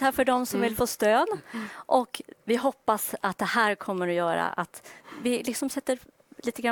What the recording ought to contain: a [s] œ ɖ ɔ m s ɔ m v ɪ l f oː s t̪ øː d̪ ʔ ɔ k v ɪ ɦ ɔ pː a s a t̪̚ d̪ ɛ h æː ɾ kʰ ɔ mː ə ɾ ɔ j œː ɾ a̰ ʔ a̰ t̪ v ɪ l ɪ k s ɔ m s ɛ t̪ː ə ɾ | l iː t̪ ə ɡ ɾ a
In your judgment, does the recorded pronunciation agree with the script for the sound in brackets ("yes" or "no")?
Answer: no